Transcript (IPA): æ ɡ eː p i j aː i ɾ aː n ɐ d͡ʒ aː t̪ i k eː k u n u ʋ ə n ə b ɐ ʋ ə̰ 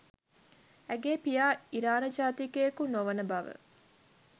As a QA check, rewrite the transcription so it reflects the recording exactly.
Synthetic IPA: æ ɡ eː p i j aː i ɾ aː n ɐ d͡ʒ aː t̪ i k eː k u n o ʋ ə n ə b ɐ ʋ ə̰